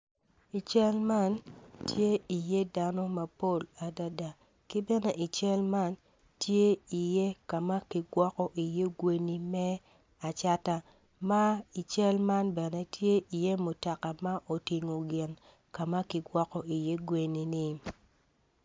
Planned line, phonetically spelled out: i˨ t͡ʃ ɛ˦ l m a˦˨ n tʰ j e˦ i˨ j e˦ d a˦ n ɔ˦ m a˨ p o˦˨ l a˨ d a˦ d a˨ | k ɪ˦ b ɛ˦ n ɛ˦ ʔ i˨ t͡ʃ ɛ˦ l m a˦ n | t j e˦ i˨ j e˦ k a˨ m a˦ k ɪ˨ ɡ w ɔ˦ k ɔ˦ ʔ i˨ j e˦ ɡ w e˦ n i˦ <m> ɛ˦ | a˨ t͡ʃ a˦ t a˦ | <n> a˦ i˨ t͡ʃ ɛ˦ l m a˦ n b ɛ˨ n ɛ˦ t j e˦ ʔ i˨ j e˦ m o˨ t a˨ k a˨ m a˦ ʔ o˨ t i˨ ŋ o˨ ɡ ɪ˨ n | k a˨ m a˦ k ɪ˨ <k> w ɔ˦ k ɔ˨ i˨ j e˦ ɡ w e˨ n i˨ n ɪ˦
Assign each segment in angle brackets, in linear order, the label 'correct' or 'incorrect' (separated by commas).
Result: correct, incorrect, incorrect